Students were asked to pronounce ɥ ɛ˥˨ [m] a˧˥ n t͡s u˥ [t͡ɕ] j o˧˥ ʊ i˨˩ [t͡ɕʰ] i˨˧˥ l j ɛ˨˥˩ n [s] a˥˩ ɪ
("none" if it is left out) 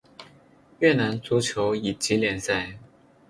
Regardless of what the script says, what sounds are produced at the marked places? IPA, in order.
n, t͡ɕʰ, t͡ɕ, s

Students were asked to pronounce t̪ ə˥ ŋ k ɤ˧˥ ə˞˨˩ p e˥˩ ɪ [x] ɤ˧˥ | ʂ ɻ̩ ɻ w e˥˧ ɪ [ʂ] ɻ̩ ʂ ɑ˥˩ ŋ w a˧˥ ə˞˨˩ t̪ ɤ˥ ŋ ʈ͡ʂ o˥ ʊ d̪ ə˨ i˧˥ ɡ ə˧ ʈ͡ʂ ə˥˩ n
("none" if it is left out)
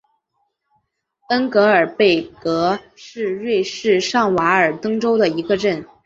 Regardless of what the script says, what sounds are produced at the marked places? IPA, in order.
k, ʂ

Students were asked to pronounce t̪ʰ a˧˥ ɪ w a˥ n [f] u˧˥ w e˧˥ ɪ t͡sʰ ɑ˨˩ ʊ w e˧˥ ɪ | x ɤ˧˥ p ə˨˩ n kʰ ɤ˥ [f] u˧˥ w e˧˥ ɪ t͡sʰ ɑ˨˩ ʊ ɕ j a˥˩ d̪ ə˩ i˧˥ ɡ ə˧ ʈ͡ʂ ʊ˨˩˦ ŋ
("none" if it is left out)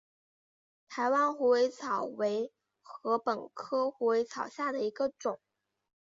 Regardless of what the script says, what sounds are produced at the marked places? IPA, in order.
x, x

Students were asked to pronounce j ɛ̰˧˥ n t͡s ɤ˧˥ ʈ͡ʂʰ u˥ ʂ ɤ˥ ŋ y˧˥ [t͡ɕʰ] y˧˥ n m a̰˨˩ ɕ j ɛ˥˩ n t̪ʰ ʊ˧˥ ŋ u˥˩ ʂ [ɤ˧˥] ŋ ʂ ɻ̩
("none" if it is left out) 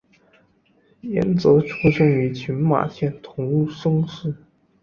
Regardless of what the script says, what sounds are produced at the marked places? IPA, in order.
t͡ɕʰ, ɤ˥

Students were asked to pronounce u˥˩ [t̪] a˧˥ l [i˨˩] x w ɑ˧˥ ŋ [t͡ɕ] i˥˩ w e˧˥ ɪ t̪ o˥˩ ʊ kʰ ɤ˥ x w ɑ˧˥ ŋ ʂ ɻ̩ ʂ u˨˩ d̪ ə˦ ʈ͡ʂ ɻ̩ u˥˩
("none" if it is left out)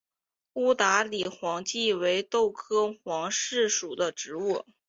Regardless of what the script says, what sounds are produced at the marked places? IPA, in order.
t̪, i˨˩, t͡ɕ

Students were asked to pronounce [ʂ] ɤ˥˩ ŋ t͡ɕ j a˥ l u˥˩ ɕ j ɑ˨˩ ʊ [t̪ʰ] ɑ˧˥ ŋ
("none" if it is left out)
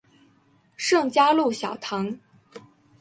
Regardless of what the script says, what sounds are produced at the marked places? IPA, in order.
ʂ, t̪ʰ

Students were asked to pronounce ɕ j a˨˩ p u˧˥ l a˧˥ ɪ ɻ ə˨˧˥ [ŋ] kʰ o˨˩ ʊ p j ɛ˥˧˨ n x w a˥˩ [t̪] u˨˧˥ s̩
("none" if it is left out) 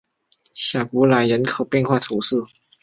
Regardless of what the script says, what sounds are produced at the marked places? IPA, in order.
n, t̪ʰ

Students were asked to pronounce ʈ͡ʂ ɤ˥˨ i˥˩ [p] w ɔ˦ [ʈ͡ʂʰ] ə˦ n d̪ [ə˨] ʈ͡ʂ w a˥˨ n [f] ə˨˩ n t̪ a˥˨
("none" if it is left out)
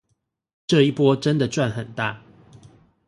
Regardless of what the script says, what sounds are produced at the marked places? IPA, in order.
p, ʈ͡ʂ, ə˨, x

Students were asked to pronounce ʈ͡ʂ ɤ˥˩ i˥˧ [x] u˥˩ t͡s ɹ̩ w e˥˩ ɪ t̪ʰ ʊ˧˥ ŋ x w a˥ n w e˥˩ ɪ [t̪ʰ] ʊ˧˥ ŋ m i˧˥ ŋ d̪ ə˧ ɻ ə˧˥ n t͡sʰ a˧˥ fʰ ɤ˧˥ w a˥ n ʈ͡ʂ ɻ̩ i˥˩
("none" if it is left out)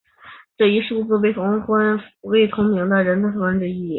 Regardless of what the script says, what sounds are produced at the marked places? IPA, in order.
ʂ, t̪ʰ

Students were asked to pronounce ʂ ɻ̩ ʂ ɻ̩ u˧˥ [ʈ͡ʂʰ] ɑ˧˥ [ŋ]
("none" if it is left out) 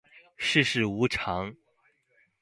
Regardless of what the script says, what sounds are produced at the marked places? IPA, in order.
ʈ͡ʂʰ, ŋ

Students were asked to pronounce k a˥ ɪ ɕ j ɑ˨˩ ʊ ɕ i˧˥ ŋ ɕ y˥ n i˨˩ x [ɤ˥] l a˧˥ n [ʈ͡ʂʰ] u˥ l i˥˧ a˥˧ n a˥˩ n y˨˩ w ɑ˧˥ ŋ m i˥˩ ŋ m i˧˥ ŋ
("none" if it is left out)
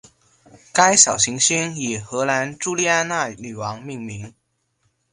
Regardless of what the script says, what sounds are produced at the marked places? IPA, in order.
ɤ˧˥, ʈ͡ʂ

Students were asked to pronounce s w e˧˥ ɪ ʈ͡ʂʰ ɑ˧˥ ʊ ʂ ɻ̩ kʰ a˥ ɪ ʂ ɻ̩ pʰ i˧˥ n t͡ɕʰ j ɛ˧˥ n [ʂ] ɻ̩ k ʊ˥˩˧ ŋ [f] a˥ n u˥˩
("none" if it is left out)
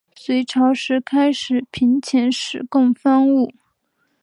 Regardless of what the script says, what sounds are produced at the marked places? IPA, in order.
ʂ, f

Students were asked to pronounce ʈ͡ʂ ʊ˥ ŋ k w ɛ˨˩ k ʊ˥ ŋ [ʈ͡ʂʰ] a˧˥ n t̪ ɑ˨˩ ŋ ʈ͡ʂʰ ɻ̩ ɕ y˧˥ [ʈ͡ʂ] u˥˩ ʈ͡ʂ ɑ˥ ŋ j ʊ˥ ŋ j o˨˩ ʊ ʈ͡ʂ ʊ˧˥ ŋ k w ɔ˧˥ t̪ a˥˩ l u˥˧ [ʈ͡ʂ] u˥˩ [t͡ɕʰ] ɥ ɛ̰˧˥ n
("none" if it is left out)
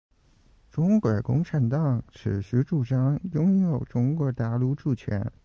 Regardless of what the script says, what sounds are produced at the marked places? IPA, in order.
ʈ͡ʂʰ, ʈ͡ʂ, ʈ͡ʂ, t͡ɕʰ

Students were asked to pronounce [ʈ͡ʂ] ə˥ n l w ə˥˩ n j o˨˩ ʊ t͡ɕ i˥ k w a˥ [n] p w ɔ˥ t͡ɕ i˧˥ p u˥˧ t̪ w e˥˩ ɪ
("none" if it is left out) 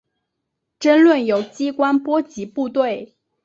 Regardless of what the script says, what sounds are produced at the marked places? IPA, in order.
ʈ͡ʂ, n

